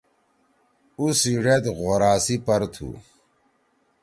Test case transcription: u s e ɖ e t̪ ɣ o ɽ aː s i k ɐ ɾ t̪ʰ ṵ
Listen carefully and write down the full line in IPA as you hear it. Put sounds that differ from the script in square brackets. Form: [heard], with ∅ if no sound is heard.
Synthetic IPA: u s [i] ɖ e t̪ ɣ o [ɾ] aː s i [p] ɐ ɾ t̪ʰ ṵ